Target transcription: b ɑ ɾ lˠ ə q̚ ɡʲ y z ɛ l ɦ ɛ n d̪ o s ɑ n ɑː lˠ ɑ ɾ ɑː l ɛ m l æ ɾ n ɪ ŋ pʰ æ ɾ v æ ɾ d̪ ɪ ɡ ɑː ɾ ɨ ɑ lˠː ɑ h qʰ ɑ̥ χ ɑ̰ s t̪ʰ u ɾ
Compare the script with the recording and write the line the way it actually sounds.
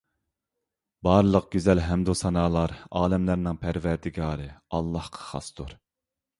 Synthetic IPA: b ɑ ɾ lˠ ə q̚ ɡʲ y z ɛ l ɦ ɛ m d̪ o s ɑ n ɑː lˠ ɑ ɾ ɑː l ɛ m l æ ɾ n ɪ ŋ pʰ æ ɾ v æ ɾ d̪ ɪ ɡ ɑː ɾ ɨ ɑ lˠː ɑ h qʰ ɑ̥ χ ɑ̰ s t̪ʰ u ɾ